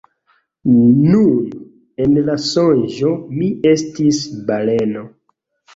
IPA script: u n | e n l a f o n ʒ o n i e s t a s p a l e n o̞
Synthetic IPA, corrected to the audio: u n | e n l a s o n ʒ o m i e s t i s b a l e n o̞